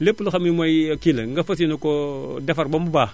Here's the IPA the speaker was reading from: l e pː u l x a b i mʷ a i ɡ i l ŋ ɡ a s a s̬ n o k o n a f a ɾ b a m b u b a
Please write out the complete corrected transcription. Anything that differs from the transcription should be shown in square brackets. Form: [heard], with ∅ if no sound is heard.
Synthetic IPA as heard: l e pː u l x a [m] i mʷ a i [k] i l ŋ ɡ a [f] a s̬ n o k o [d] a f a ɾ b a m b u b a